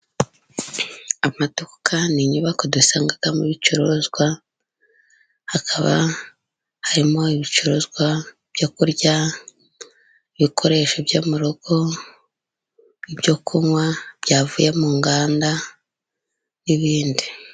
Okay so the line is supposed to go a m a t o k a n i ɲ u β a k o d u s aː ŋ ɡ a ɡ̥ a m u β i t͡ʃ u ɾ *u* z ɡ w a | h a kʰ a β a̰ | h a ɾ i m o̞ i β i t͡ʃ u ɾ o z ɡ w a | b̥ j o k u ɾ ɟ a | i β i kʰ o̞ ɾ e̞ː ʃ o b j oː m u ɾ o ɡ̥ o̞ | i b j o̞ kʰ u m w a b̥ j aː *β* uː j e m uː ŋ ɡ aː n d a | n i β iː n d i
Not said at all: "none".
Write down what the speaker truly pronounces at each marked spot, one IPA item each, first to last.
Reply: o, v

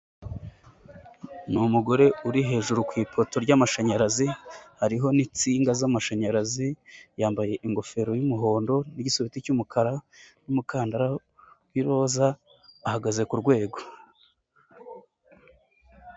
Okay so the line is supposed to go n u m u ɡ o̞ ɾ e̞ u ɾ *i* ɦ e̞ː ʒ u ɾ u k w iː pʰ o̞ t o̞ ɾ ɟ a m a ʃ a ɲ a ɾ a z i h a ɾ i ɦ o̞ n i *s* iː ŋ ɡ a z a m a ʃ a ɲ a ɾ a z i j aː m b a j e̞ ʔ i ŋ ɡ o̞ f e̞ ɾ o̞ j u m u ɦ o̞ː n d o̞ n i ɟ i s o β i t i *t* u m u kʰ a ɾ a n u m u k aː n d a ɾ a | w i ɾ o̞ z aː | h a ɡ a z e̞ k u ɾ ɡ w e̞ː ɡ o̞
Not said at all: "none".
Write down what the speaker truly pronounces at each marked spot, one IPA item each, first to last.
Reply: i, t͡s, c

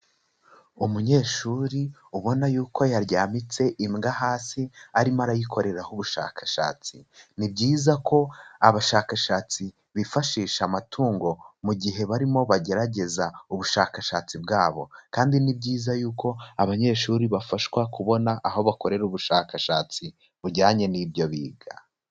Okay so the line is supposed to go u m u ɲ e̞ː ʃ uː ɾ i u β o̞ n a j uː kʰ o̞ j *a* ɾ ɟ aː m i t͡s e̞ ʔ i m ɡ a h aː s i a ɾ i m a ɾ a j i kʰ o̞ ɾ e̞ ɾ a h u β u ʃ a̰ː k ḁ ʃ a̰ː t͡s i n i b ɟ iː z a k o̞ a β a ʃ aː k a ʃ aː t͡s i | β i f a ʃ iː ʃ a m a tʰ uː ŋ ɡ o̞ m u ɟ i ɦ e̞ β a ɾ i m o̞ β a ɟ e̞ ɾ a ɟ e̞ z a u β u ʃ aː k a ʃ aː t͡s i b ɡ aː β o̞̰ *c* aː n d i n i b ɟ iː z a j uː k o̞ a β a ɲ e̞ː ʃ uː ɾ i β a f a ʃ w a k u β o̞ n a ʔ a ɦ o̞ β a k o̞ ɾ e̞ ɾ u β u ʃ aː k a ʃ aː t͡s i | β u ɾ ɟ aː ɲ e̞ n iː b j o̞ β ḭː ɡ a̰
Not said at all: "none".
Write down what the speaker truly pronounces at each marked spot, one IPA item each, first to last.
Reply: a, k

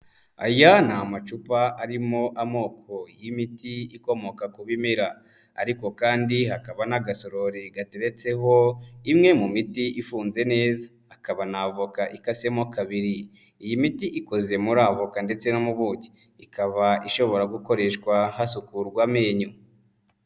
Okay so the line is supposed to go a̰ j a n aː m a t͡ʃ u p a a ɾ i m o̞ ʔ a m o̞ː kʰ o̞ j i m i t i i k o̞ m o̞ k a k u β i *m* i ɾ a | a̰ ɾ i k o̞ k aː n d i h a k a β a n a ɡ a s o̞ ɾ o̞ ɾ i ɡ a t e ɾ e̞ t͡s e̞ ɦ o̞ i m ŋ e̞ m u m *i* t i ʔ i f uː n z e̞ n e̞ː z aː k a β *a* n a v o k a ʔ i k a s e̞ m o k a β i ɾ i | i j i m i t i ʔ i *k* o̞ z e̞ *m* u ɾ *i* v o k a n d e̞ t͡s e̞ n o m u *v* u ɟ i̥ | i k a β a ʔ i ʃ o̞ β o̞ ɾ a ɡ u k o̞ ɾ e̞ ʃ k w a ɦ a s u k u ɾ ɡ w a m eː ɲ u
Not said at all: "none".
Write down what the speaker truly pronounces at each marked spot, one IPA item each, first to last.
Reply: m, i, a, k, m, a, β

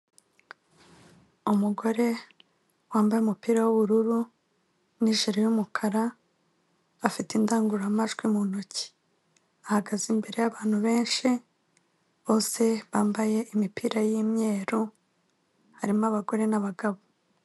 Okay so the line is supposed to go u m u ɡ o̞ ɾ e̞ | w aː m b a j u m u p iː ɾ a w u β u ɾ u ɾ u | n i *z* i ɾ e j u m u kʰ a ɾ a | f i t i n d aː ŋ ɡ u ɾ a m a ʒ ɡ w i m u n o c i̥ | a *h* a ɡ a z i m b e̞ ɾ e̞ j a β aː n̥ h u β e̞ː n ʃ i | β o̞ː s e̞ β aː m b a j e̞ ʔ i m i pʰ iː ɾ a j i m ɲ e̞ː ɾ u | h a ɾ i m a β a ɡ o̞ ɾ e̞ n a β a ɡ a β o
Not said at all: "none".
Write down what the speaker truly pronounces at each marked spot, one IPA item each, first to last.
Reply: ʒ, h

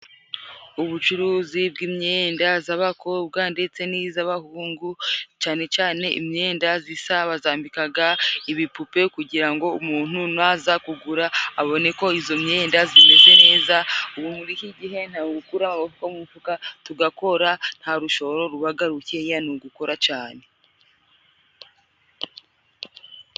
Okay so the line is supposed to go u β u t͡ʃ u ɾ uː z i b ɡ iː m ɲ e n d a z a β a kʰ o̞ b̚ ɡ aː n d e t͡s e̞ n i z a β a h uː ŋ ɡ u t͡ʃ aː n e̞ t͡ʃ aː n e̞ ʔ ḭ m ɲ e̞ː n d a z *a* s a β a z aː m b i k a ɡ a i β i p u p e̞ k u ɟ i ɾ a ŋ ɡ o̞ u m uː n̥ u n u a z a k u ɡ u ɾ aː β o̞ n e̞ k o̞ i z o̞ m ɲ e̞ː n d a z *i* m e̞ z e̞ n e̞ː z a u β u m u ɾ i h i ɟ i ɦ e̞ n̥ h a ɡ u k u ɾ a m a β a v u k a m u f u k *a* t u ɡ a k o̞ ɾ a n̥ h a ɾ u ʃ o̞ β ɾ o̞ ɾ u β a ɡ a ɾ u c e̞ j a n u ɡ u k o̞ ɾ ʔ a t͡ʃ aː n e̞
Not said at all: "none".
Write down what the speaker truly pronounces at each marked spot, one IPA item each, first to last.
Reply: i, i, a

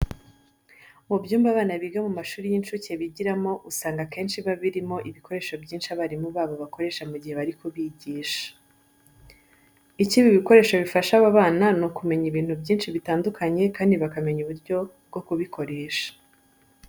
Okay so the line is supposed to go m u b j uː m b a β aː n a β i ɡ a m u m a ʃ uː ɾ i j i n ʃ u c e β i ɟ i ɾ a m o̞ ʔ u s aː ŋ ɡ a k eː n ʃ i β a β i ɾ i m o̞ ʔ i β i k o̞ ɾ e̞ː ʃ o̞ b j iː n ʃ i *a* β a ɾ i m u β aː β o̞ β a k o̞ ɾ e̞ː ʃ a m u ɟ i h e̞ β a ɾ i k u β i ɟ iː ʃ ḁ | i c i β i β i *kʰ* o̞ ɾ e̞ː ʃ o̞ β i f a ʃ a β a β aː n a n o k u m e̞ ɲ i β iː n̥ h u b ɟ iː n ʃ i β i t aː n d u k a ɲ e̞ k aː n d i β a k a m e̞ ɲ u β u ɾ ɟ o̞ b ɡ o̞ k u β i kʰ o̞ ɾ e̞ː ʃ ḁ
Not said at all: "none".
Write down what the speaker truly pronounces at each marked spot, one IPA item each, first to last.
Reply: a, k

